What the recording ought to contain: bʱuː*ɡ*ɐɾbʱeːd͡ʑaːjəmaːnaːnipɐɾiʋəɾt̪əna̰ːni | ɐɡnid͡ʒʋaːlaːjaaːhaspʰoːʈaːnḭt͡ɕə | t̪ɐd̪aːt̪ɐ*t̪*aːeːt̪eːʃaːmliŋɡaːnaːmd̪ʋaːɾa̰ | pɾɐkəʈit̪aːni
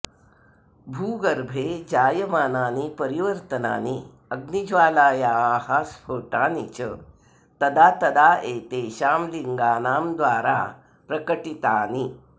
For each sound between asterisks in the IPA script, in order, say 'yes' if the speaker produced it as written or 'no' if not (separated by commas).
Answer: yes, no